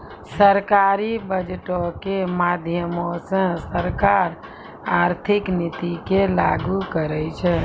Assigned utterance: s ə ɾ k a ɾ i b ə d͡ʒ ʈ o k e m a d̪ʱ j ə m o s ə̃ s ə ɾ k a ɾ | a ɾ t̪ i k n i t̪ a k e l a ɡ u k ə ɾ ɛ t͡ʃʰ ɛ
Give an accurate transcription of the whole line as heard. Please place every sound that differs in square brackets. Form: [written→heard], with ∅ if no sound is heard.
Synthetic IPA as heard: s ə ɾ k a ɾ i b ə d͡ʒ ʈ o k e m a d̪ʱ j ə m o s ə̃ s ə ɾ k a ɾ | a ɾ [t̪→t̪ʰ] i k n i t̪ [a→i] k e l a ɡ u k ə ɾ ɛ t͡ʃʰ ɛ